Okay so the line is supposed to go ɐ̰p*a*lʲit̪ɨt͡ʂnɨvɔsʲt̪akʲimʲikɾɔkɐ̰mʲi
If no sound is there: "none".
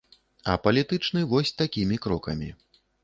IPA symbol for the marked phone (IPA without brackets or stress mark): ɐ